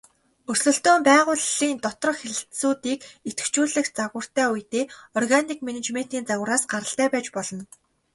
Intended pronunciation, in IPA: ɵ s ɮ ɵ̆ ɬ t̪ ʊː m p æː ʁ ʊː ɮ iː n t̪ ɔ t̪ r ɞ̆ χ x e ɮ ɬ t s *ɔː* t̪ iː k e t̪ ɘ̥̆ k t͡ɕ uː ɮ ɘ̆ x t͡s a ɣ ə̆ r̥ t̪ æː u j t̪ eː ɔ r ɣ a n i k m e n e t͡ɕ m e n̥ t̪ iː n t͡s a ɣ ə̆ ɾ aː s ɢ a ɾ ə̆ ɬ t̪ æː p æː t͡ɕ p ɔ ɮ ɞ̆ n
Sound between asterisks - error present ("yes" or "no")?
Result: yes